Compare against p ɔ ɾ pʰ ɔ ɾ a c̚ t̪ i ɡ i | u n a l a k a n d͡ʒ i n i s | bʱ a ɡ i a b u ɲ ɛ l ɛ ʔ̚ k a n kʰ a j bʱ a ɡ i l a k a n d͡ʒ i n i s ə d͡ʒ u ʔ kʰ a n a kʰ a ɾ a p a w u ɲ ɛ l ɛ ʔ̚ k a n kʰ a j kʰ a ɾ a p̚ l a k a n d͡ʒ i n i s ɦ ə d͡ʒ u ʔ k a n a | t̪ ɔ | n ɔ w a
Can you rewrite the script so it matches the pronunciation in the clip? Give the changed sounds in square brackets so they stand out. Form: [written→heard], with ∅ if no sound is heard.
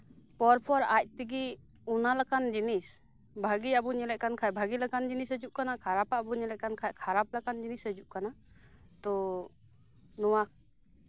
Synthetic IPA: p ɔ ɾ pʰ ɔ ɾ a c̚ t̪ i ɡ i | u n a l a k a n d͡ʒ i n i s | bʱ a ɡ i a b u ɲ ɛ l ɛ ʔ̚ k a n kʰ a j bʱ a ɡ i l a k a n d͡ʒ i n i s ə d͡ʒ u ʔ [kʰ→k] a n a kʰ a ɾ a p a [w→b] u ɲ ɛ l ɛ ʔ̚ k a n kʰ a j kʰ a ɾ a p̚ l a k a n d͡ʒ i n i s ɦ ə d͡ʒ u ʔ k a n a | t̪ ɔ | n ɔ w a